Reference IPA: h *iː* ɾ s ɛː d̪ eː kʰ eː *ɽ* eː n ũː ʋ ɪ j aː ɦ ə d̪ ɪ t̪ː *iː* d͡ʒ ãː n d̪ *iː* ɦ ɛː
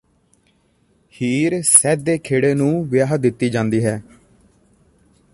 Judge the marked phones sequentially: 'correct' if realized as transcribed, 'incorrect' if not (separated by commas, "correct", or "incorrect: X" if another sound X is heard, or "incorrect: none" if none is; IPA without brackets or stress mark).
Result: correct, correct, correct, correct